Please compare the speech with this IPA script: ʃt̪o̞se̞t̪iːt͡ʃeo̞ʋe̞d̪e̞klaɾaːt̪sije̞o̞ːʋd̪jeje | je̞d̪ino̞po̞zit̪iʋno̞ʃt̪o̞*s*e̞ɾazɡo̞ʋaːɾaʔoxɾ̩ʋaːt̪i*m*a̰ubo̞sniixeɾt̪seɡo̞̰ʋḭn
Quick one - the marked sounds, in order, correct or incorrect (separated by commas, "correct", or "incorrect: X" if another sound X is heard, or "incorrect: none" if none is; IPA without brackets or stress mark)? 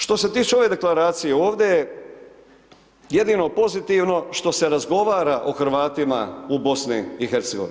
correct, correct